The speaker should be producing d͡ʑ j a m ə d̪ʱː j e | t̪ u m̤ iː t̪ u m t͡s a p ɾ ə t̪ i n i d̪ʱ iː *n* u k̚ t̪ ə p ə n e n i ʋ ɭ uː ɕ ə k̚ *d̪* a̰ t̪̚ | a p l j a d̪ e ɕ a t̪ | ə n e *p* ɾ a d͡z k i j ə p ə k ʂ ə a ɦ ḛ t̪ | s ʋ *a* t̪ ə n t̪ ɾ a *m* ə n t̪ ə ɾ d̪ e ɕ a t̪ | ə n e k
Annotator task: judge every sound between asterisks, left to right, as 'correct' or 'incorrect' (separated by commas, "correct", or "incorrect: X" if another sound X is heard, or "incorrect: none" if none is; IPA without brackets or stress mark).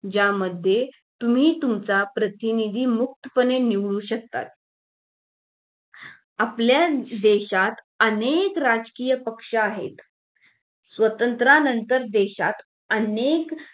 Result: incorrect: m, incorrect: t̪, incorrect: k, incorrect: ə, incorrect: n